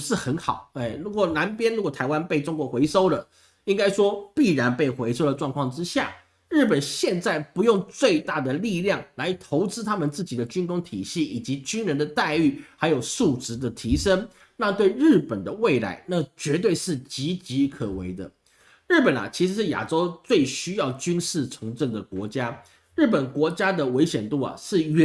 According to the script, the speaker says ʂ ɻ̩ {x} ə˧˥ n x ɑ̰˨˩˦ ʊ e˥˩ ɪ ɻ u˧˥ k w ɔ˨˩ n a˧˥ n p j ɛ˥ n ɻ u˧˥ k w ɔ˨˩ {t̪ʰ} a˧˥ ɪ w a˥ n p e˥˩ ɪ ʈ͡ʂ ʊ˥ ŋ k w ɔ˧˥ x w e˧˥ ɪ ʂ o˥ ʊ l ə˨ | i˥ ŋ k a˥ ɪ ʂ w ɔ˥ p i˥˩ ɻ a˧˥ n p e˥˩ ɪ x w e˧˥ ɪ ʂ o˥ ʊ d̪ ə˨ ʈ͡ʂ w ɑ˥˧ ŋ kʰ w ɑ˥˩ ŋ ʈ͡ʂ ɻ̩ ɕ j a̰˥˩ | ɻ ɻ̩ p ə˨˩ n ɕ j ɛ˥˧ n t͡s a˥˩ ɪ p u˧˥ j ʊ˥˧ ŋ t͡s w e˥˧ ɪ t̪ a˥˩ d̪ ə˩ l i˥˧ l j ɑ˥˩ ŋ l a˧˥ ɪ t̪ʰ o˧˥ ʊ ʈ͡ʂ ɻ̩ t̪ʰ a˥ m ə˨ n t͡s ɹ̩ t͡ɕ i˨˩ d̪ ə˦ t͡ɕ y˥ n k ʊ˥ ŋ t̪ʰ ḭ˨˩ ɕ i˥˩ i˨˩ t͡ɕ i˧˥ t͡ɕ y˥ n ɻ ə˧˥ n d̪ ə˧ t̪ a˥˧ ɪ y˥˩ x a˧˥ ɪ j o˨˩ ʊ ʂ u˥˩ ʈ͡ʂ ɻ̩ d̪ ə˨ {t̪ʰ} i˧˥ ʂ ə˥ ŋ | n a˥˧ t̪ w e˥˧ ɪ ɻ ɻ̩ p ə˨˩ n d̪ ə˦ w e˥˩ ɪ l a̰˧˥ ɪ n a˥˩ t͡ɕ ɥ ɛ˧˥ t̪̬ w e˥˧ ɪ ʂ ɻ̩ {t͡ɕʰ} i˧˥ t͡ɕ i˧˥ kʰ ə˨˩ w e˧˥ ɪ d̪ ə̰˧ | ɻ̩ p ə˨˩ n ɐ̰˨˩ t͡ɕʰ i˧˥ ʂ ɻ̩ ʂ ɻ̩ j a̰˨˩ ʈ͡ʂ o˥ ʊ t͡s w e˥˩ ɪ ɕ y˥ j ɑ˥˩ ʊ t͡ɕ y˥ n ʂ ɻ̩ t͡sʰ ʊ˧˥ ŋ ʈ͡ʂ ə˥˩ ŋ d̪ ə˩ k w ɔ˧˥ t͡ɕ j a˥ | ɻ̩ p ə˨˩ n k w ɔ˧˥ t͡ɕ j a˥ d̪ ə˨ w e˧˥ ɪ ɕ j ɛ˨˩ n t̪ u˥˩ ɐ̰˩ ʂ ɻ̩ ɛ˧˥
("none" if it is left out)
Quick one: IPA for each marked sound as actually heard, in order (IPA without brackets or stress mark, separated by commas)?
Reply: x, t̪ʰ, t̪ʰ, t͡ɕ